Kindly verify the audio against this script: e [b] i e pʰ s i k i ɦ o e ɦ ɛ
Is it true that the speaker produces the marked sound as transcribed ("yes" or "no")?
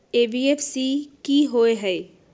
yes